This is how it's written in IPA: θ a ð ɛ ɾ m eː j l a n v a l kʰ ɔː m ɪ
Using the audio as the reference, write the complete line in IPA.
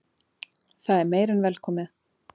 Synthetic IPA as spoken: θ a ð ɛ ɾ m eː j ɾ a n v ɛ l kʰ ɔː m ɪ